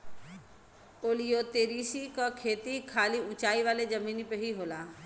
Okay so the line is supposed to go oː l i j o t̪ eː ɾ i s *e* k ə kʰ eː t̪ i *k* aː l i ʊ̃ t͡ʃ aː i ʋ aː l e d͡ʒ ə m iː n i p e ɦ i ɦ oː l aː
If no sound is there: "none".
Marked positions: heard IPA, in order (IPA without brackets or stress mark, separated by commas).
i, kʰ